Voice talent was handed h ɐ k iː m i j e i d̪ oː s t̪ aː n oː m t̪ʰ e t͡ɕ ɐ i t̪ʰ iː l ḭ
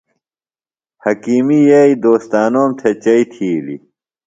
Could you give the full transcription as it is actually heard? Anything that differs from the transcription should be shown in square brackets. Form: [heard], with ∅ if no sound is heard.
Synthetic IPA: h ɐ k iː m i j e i d̪ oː s t̪ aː n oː m t̪ʰ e t͡ɕ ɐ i t̪ʰ iː l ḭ